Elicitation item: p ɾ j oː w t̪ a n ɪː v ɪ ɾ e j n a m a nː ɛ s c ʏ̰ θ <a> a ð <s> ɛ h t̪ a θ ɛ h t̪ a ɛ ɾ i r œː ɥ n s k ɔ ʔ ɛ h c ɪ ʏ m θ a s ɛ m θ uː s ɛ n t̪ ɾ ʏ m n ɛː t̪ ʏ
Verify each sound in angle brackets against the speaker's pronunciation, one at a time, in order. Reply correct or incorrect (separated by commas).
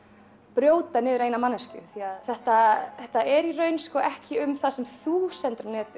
incorrect, incorrect